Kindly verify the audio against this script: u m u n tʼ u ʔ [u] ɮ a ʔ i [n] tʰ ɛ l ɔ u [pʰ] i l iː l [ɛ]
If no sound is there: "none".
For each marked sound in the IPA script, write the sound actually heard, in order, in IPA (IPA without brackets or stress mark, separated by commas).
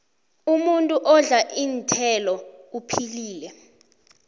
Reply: ɔ, n, pʰ, ɛ